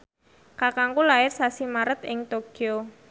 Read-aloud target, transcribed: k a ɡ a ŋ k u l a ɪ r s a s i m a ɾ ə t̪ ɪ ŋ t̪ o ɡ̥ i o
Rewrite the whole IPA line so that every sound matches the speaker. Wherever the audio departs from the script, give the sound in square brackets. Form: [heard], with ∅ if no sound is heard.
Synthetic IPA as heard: k a [k] a ŋ k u l a ɪ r s a s i m a ɾ ə t̪ ɪ ŋ t̪ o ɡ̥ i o